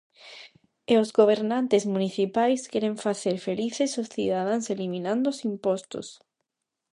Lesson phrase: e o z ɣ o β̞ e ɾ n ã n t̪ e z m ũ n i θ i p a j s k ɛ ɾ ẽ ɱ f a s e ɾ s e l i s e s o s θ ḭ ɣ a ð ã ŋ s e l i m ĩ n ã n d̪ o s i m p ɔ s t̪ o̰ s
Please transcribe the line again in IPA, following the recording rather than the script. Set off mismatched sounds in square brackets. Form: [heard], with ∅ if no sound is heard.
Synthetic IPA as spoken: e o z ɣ o β̞ e ɾ n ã n t̪ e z m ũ n i θ i p a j s k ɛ ɾ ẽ ɱ f a [θ] e ɾ [f] e l i [θ] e s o s θ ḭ [ð] a ð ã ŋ s e l i m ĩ n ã n d̪ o s i m p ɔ s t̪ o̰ s